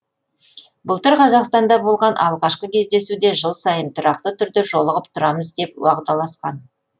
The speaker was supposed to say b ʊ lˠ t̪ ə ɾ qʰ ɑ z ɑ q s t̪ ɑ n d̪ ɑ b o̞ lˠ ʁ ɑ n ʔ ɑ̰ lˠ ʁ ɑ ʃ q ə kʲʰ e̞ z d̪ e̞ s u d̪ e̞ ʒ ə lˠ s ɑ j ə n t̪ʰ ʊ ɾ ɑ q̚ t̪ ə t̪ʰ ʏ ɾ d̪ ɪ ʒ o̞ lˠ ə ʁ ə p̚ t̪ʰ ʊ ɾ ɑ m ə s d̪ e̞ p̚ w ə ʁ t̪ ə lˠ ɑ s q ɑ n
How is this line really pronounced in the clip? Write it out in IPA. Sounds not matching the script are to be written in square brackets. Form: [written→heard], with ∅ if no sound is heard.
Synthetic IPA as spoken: b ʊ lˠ t̪ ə ɾ qʰ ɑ z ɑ q s t̪ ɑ n d̪ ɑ b o̞ lˠ ʁ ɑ n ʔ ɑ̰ lˠ ʁ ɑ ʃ q ə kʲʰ e̞ z d̪ e̞ s u d̪ e̞ ʒ ə lˠ s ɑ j ə n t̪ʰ ʊ ɾ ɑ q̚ t̪ ə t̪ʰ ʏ ɾ d̪ ɪ ʒ o̞ lˠ ə ʁ ə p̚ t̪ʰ ʊ ɾ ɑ m ə [s→z] d̪ e̞ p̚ w [ə→ɑ] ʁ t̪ [ə→ɑ] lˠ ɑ s q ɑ n